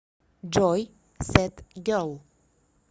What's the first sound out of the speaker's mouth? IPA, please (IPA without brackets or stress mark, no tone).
d͡ʒ